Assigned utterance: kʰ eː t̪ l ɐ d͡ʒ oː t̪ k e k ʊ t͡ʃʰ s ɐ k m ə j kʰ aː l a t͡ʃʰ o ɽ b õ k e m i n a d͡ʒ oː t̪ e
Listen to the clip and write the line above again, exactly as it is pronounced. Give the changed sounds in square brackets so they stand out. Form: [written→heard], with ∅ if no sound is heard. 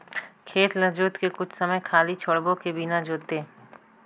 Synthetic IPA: kʰ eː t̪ l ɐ d͡ʒ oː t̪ k e k ʊ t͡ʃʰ s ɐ [k→∅] m ə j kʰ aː l [a→i] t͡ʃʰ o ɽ b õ k e [m→b] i n a d͡ʒ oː t̪ e